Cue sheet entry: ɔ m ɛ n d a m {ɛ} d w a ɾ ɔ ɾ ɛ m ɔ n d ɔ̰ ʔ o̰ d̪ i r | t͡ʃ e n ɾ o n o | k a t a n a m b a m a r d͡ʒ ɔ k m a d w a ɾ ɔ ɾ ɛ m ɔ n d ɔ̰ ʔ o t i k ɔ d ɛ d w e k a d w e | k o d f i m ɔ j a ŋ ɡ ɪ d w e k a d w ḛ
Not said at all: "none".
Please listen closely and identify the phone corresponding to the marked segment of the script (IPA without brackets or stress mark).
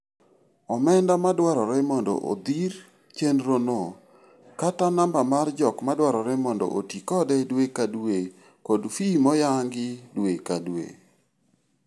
a